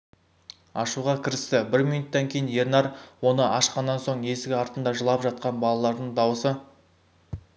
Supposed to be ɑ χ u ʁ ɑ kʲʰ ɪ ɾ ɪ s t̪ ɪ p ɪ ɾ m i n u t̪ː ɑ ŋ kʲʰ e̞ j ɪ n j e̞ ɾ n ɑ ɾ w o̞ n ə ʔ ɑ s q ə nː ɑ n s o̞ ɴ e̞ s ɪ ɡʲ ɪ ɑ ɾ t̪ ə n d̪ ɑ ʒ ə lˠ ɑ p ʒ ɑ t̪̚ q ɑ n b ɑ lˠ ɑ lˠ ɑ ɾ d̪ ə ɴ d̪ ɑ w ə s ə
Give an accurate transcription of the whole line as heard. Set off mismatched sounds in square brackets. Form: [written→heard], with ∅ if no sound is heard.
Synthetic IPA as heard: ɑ [χ→ʃ] u ʁ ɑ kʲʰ ɪ ɾ ɪ s t̪ ɪ [p→b] ɪ ɾ m i n u t̪ː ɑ ŋ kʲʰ e̞ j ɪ n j e̞ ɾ n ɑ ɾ w o̞ n ə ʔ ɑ [s→ʃ] q [ə→ɑ] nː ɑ n s o̞ ɴ e̞ s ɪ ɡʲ ɪ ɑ ɾ t̪ ə n d̪ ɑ ʒ ə lˠ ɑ p ʒ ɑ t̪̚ q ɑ n b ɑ lˠ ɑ lˠ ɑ ɾ d̪ ə ɴ d̪ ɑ w ə s ə